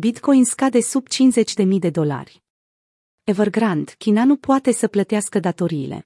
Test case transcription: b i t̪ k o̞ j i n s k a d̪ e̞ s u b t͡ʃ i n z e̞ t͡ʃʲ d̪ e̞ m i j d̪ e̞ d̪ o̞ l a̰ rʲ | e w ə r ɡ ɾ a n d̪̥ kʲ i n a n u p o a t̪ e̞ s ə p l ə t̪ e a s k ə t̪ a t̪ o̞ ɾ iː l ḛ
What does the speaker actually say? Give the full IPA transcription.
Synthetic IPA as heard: b i t̪ k o̞ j i n s k a d̪ e̞ s u b t͡ʃ i n z e̞ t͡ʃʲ d̪ e̞ m i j d̪ e̞ d̪ o̞ l a̰ rʲ | e v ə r ɡ ɾ a n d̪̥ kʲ i n a n u p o a t̪ e̞ s ə p l ə t̪ e a s k ə d̪ a t̪ o̞ ɾ iː l ḛ